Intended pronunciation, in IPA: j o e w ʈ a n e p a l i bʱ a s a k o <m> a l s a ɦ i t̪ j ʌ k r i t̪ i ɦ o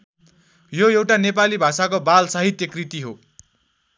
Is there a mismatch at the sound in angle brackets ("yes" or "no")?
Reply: yes